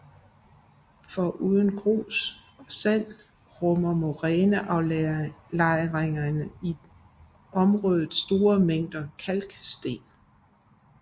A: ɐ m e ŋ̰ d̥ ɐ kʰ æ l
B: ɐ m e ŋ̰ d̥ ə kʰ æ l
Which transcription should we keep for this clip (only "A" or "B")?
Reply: A